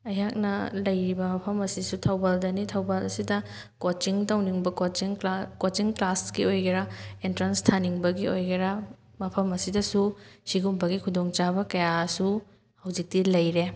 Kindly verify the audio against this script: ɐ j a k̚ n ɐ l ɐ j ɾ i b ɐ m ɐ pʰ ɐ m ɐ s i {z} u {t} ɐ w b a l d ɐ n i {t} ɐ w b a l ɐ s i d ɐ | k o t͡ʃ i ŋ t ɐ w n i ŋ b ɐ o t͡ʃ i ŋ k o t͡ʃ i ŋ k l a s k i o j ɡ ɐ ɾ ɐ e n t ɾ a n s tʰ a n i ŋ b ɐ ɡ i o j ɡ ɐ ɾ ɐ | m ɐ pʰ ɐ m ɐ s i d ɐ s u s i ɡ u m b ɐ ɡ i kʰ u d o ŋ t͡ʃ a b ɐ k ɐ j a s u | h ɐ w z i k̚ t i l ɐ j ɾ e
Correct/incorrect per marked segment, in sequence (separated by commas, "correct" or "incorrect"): incorrect, incorrect, incorrect